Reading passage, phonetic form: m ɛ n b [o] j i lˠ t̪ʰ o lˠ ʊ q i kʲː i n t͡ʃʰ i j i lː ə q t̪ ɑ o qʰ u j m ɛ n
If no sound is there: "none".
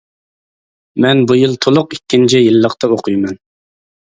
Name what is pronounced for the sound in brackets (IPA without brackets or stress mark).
u